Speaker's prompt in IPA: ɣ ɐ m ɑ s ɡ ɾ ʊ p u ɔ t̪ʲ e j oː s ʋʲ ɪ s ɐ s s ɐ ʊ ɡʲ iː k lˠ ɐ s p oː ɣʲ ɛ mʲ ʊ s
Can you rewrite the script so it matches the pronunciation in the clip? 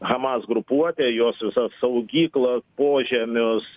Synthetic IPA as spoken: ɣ ɐ m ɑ s ɡ ɾ ʊ p u ɔ t̪ʲ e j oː s ʋʲ ɪ s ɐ s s ɐ ʊ ɡʲ iː k lˠ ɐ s p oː ʒʲ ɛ mʲ ʊ s

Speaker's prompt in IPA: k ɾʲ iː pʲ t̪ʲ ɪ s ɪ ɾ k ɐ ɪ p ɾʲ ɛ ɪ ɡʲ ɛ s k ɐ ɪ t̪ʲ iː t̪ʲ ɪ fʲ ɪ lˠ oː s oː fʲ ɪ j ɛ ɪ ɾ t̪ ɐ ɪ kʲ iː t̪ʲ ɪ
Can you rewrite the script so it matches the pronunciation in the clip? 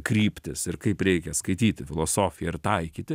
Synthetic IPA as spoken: k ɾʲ iː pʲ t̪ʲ ɪ s ɪ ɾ k ɐ ɪ p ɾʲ ɛ ɪ kʲ ɛ s k ɐ ɪ t̪ʲ iː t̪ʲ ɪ fʲ ɪ lˠ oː s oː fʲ ɪ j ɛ ɪ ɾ t̪ ɐ ɪ kʲ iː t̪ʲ ɪ

